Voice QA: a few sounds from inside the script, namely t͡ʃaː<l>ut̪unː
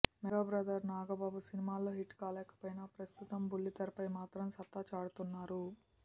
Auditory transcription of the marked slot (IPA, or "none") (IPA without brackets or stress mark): ɽ